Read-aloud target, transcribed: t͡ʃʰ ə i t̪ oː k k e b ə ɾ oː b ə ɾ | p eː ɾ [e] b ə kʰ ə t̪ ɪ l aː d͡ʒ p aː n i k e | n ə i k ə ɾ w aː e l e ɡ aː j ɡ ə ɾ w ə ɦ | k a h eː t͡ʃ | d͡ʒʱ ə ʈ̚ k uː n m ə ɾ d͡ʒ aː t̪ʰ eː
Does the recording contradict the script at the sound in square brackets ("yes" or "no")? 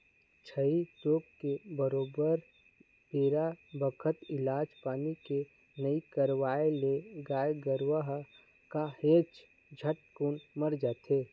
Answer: yes